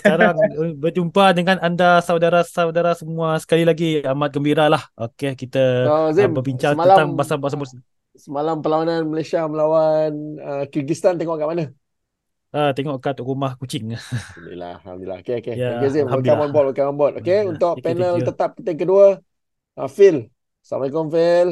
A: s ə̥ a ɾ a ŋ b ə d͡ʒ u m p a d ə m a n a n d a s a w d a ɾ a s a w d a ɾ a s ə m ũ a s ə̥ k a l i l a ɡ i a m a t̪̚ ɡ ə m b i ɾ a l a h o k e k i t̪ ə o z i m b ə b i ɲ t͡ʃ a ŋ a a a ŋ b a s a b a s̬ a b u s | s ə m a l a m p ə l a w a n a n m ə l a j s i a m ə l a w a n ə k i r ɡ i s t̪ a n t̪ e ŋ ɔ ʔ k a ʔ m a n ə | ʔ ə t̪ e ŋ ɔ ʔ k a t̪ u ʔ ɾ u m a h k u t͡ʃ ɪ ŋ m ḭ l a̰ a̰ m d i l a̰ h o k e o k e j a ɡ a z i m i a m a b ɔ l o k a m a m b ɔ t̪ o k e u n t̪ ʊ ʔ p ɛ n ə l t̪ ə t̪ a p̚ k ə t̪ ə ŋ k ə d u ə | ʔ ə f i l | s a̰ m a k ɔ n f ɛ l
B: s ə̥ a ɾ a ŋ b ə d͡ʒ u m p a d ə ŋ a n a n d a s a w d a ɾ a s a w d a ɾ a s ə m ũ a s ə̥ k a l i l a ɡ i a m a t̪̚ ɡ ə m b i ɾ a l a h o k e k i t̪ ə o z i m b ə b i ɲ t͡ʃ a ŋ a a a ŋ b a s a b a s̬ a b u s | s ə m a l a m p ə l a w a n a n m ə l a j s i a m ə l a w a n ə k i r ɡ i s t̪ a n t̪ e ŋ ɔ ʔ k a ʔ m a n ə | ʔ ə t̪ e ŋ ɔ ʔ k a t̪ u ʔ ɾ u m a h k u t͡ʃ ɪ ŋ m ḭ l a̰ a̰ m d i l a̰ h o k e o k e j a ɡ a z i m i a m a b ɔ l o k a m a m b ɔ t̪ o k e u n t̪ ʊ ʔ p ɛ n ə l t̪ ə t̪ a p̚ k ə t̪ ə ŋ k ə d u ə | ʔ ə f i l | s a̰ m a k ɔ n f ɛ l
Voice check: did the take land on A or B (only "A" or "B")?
B